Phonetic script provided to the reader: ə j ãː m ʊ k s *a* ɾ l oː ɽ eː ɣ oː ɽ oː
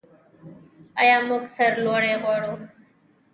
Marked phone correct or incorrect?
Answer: incorrect